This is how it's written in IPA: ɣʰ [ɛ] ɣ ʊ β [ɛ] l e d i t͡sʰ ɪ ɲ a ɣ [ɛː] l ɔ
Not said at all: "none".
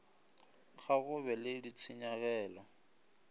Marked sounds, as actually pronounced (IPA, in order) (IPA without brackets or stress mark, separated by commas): a, ɛ, ɛː